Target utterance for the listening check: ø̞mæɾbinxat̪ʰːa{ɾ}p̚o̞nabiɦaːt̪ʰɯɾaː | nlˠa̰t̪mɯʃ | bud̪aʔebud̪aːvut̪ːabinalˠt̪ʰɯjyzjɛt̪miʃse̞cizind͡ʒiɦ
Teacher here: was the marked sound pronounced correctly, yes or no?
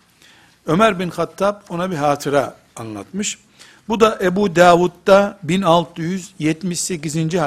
no